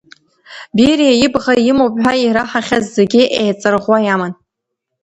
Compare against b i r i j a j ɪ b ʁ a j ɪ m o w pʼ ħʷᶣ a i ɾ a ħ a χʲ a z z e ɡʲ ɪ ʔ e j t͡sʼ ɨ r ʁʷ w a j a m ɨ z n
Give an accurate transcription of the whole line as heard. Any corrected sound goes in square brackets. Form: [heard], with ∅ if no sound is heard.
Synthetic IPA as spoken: b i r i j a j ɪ b ʁ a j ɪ m o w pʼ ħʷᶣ a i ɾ a ħ a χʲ a z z e ɡʲ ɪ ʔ e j t͡sʼ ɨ r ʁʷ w a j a m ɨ [∅] n